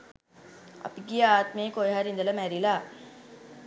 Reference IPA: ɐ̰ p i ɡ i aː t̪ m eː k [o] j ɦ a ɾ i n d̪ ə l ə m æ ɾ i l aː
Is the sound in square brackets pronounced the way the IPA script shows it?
yes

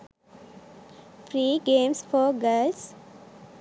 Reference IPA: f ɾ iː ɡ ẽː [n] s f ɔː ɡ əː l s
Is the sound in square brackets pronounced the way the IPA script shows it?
no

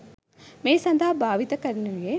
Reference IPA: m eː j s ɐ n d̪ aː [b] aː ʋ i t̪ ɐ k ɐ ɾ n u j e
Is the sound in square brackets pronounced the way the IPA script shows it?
yes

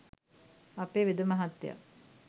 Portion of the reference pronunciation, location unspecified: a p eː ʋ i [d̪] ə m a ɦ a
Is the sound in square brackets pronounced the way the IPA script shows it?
yes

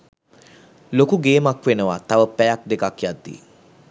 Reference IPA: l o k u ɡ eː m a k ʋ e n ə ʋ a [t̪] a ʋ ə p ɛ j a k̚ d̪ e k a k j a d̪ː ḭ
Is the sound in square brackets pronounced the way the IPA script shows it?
yes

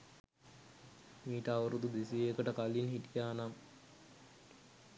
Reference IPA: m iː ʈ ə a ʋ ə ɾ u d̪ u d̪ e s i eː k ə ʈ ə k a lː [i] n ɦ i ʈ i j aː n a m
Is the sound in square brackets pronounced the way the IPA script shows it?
yes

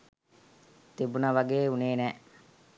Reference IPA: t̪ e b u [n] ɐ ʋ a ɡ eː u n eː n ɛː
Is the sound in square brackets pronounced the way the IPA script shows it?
yes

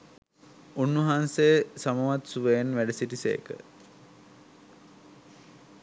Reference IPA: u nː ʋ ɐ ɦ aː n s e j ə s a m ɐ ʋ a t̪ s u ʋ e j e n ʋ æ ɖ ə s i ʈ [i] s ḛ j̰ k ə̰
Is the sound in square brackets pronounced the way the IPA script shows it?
yes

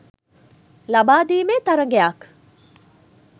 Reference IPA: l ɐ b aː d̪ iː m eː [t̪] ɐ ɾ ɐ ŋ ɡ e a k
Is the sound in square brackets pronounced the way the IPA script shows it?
yes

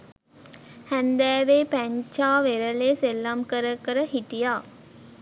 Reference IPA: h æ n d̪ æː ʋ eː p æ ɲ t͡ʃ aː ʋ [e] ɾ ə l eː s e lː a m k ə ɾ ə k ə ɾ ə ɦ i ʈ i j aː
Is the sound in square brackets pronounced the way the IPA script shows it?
yes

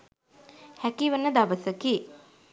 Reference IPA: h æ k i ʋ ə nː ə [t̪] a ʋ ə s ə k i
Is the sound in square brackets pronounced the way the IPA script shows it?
no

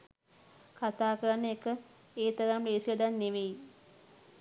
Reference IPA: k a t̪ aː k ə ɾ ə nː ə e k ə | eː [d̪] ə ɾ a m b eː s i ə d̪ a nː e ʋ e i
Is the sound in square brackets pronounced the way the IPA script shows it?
no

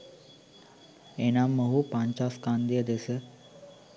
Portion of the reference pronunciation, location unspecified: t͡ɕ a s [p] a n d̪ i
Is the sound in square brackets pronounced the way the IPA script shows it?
no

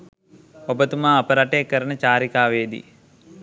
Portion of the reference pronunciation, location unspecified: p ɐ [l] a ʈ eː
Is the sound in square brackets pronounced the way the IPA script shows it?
no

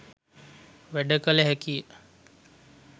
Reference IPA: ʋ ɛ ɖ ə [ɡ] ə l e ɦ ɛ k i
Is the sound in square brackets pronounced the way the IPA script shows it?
no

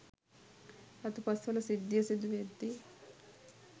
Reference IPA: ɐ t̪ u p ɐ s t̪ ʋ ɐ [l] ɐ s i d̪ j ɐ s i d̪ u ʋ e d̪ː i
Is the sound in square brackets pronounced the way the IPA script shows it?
yes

